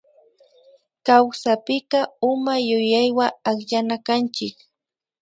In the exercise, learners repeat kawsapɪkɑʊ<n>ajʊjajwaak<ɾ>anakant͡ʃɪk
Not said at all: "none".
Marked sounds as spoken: m, ʎ

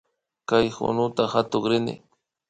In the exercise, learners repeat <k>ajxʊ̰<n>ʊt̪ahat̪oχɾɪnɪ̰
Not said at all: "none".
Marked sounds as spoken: k, n

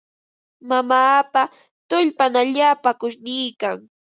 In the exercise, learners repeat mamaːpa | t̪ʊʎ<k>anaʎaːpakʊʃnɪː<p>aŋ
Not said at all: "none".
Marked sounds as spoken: p, k

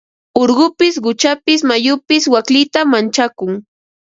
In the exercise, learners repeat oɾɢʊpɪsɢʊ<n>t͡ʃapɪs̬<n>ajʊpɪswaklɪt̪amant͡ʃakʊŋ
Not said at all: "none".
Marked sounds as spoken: none, m

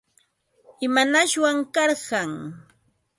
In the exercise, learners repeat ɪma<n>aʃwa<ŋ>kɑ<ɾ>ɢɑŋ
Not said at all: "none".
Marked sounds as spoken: n, ŋ, ɾ

